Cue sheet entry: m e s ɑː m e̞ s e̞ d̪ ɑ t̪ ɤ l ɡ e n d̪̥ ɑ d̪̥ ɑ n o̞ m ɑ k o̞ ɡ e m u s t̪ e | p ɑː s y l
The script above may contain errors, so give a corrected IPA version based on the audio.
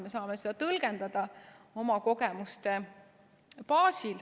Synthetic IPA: m e s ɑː m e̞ s e̞ d̪ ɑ t̪ ɤ l ɡ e n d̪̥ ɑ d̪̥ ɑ o̞ m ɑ k o̞ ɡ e m u s t̪ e | p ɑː s i l

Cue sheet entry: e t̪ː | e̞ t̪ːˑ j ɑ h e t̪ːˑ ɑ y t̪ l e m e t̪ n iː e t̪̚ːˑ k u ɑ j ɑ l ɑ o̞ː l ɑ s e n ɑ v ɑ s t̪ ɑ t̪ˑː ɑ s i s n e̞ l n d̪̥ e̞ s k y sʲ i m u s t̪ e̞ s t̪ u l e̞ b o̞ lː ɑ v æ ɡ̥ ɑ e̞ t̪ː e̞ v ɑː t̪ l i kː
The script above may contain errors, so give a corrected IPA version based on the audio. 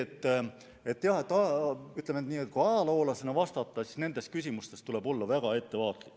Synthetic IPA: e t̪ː | e̞ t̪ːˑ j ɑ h e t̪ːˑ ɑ y t̪ l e m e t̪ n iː e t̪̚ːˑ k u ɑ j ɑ l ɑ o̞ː l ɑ s e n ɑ v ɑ s t̪ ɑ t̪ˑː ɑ s i s n e̞ n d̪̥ e̞ s k y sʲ i m u s t̪ e̞ s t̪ u l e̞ b o̞ lː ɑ v æ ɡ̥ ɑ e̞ t̪ː e̞ v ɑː t̪ l i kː

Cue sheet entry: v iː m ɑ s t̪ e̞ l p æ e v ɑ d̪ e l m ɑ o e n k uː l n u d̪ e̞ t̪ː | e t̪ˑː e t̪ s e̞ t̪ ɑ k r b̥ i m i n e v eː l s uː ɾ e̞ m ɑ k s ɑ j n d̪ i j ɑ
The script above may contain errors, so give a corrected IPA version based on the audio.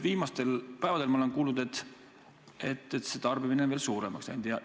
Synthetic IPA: v iː m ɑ s t̪ e̞ l p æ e v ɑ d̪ e l m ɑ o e n k uː l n u d̪ e̞ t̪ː | e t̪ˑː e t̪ s e̞ t̪ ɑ r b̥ i m i n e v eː l s uː ɾ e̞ m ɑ k s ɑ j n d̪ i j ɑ

